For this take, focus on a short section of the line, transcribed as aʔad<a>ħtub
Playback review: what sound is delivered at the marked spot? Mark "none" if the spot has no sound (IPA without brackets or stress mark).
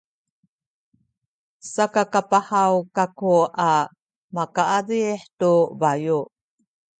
i